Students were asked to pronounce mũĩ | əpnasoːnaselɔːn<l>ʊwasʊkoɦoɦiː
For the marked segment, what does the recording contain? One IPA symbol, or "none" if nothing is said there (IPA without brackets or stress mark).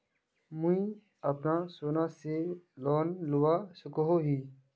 l